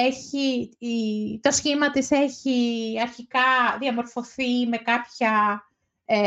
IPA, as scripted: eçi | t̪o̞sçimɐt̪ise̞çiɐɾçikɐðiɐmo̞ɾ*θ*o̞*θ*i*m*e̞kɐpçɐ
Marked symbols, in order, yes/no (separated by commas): no, yes, yes